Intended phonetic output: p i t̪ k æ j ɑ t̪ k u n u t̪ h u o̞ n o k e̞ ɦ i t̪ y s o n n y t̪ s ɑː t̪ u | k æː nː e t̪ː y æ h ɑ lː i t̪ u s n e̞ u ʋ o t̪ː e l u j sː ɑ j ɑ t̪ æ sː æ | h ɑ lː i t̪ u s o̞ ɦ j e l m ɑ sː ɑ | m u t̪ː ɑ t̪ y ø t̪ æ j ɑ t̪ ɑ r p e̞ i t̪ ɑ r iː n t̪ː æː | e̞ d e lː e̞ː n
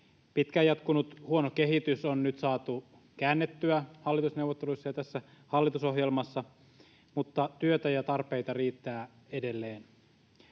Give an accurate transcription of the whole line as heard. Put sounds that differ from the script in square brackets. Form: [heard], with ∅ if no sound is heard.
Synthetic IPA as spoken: p i t̪ k æ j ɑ t̪ k u n u t̪ h u o̞ n o k e̞ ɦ i t̪ y s o n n y t̪ s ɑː t̪ u | k æː nː e t̪ː y æ h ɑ lː i t̪ u s n e̞ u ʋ o t̪ː e l u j sː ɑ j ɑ t̪ æ sː æ | h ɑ lː i t̪ u s o̞ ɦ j e l m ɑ sː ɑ | m u t̪ː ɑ t̪ y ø t̪ æ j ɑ t̪ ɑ r p e̞ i t̪ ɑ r iː [∅] t̪ː æː | e̞ d e lː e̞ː n